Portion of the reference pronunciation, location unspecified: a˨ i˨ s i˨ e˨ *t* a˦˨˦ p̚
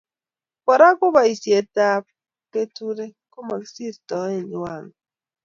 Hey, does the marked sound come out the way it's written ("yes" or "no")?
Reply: yes